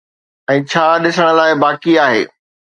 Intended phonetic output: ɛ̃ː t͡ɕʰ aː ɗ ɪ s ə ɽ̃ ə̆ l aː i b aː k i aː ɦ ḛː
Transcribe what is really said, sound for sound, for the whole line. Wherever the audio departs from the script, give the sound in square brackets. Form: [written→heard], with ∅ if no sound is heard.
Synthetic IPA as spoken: ɛ̃ː t͡ɕʰ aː ɗ ɪ s ə ɽ̃ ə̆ l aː [i→ɪ] b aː k i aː ɦ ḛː

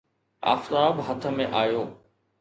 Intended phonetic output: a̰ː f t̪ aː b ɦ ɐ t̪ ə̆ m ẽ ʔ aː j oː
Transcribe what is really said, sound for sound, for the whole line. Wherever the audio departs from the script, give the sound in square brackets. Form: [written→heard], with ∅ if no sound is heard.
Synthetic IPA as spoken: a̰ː f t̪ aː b ɦ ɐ [t̪→t̪ʰ] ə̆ m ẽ ʔ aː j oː

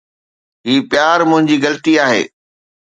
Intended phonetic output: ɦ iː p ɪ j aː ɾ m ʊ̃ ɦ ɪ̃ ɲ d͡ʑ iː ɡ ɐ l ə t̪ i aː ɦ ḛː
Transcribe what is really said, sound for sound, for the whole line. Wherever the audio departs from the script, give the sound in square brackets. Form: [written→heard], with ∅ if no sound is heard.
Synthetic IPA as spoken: ɦ iː p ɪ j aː ɾ m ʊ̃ ɦ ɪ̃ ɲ d͡ʑ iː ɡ ɐ l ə t̪ i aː ɦ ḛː

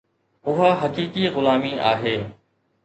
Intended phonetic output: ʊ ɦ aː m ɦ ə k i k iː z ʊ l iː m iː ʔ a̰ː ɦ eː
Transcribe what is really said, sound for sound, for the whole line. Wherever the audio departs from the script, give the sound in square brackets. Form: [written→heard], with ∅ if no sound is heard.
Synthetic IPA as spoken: ʊ ɦ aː [m→∅] ɦ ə k [i→iː] k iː [z→ɣ] ʊ l [iː→aː] m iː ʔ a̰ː ɦ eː

